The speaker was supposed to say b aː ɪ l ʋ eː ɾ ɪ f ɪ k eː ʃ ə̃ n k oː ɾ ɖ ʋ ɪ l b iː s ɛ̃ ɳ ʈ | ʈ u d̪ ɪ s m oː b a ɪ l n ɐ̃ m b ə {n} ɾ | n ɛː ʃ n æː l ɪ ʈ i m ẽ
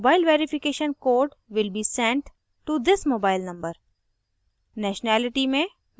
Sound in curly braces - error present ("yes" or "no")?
yes